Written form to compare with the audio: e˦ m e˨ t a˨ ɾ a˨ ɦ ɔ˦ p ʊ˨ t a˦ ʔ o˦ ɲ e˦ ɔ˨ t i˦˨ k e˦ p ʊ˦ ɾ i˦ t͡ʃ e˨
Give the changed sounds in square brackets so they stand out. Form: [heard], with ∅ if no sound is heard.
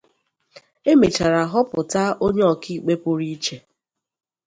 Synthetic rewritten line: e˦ m e˨ [t͡ʃ] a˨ ɾ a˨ ɦ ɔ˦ p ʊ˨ t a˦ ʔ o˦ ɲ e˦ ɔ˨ [k] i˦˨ [k͡p] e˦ p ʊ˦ ɾ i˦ t͡ʃ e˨